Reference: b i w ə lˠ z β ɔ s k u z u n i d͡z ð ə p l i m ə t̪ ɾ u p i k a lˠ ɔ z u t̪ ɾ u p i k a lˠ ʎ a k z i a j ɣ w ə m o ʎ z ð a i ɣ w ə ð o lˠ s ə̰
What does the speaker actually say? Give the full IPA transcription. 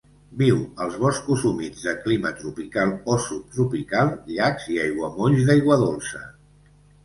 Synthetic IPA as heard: b i w ə lˠ z β ɔ s k u z u m i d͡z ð ə k l i m ə t̪ ɾ u p i k a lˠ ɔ s u t̪ ɾ u p i k a lˠ ʎ a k z i a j ɣ w ə m o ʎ z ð a j ɣ w ə ð o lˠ s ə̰